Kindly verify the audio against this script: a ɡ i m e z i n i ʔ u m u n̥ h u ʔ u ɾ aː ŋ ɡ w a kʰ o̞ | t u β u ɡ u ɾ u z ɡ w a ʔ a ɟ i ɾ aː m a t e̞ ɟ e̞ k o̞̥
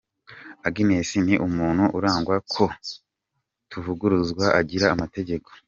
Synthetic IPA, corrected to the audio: a ɡ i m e s i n i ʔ u m uː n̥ h u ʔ u ɾ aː ŋ ɡ w a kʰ o̞ | t u v u ɡ u ɾ u z ɡ w a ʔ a ɟ i ɾ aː m a t e̞ ɟ e̞ k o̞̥